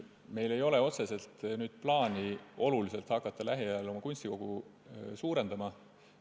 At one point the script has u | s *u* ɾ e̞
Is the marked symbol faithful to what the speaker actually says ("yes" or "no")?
no